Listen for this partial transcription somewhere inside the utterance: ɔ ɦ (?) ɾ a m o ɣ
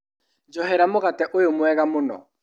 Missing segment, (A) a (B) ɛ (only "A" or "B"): B